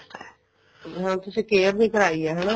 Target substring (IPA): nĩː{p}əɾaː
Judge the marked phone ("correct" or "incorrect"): incorrect